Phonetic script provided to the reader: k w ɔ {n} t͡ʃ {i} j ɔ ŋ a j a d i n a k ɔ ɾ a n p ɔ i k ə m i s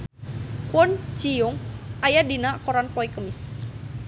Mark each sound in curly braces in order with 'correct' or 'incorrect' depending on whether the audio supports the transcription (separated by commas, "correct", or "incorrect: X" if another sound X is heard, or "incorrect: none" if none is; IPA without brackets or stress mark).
correct, correct